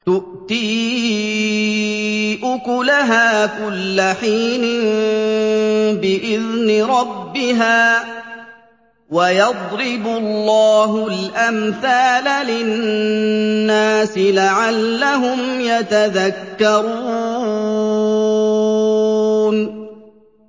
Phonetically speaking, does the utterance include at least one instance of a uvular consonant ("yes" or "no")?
no